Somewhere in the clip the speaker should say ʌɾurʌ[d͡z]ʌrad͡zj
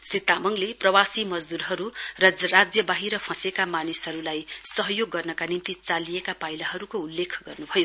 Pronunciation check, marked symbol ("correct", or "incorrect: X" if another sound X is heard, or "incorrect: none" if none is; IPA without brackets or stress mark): correct